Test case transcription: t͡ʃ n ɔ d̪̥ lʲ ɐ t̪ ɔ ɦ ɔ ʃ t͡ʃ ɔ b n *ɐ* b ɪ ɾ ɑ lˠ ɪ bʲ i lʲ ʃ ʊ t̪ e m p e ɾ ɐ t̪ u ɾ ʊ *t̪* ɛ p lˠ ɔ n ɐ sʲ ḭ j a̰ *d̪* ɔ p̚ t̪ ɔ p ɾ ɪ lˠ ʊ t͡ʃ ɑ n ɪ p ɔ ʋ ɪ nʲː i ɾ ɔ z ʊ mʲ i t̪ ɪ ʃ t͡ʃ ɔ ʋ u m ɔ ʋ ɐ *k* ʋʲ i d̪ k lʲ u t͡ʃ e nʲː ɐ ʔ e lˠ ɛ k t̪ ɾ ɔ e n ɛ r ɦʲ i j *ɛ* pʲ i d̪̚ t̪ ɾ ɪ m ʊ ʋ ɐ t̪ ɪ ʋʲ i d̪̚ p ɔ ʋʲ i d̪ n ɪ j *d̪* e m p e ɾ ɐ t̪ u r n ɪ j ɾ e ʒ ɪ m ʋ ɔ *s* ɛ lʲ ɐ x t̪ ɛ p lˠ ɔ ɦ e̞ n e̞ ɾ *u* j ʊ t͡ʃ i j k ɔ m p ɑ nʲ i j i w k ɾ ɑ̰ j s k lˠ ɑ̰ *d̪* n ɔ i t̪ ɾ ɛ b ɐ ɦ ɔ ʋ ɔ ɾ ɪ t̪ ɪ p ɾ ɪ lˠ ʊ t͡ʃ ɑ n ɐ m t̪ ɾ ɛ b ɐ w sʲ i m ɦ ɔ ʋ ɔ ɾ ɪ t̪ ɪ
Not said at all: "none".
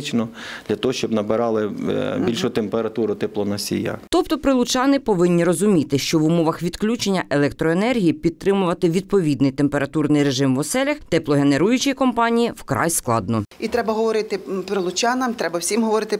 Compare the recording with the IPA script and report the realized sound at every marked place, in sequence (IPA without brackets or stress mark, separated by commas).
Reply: ɐ, t̪, t̪, x, i, t̪, s, u, d̪